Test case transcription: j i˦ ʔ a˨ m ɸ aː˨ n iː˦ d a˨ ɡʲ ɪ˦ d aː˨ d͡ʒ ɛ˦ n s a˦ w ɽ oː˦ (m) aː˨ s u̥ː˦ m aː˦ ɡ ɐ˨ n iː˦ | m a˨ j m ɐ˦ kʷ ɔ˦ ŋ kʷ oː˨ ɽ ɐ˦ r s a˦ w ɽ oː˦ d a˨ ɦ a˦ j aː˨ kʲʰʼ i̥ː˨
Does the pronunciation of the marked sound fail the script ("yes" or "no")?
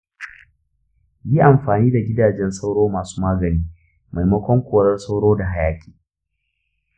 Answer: no